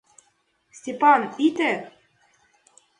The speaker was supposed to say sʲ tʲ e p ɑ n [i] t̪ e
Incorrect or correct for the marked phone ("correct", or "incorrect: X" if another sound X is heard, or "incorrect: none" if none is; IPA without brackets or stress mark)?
correct